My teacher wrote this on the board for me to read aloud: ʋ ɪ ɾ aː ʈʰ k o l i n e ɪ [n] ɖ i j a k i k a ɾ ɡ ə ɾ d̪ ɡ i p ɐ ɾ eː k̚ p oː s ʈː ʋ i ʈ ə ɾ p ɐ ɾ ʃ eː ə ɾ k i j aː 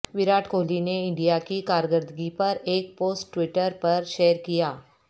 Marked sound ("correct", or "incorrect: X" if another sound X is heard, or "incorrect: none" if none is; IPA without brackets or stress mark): incorrect: ɳ